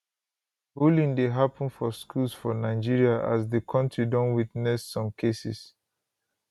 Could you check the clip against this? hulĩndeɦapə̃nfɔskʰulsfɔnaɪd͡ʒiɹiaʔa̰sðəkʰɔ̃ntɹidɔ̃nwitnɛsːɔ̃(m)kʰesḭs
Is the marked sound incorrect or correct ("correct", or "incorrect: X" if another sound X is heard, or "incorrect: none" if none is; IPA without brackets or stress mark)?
correct